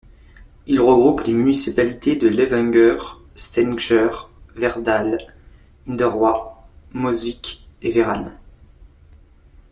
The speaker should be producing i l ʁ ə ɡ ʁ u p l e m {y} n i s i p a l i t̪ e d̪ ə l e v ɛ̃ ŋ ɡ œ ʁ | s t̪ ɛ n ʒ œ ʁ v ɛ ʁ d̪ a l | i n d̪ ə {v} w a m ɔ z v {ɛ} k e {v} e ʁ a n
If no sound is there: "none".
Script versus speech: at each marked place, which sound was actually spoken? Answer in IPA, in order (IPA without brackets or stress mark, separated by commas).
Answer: y, ʁ, i, v